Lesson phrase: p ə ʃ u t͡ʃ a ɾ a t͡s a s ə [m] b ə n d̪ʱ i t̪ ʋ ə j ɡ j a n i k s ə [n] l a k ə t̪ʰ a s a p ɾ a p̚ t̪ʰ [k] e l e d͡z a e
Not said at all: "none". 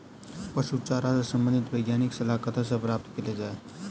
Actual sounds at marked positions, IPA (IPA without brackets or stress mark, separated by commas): m, none, k